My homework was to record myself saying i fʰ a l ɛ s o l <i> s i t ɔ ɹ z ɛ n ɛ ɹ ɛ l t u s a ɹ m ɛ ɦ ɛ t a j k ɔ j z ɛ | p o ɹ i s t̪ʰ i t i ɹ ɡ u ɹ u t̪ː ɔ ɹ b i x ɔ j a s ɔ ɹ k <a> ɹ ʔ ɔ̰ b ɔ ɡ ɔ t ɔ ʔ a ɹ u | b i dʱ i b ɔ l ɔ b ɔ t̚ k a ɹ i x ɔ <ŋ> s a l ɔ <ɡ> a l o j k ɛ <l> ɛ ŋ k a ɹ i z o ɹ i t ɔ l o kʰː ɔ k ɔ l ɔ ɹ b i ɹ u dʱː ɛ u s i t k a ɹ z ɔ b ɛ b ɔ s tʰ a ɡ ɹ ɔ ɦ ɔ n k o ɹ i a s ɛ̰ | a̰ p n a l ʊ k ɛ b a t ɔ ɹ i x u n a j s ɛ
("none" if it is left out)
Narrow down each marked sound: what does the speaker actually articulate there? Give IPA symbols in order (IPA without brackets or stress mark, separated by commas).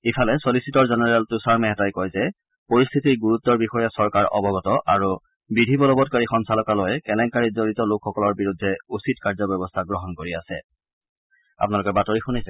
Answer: i, a, n, k, l